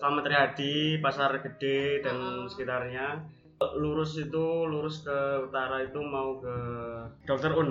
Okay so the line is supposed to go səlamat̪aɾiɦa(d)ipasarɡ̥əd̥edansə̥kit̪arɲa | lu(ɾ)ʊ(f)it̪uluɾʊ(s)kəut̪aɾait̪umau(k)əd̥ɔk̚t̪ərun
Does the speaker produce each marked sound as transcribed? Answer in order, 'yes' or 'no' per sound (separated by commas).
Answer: yes, yes, no, yes, yes